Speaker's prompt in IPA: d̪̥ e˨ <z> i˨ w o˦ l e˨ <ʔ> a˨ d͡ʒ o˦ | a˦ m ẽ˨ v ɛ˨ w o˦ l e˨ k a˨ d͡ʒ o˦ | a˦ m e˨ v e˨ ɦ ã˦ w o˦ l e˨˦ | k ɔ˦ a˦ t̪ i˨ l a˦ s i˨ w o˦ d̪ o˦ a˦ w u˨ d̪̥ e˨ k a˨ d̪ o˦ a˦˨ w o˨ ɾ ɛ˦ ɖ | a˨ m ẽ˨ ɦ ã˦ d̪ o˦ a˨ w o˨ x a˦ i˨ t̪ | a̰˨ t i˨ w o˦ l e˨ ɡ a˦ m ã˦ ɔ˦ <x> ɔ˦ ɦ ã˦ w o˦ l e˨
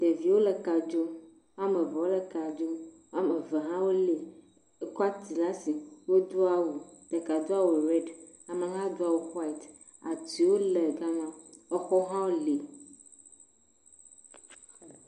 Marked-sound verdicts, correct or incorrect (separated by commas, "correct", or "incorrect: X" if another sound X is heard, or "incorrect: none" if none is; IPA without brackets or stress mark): incorrect: v, incorrect: k, correct